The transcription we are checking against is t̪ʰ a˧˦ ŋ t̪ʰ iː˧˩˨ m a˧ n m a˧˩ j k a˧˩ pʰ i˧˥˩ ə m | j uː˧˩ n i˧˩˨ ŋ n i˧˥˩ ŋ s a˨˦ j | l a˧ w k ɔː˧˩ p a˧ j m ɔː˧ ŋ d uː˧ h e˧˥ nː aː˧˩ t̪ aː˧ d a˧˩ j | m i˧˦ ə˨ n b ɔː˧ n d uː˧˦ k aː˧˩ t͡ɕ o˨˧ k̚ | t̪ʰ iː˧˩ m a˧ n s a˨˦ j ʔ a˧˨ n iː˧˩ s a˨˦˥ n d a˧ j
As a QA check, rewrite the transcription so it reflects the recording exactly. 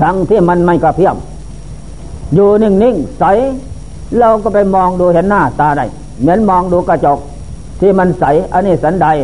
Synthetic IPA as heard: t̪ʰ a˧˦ ŋ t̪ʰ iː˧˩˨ m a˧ n m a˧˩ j k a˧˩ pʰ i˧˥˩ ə m | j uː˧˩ n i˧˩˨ ŋ n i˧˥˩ ŋ s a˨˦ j | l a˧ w k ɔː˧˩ p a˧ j m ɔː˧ ŋ d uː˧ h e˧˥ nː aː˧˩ t̪ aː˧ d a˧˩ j | m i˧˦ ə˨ n m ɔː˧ ŋ d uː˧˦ k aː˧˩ t͡ɕ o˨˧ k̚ | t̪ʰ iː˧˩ m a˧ n s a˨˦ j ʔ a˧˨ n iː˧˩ s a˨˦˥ n d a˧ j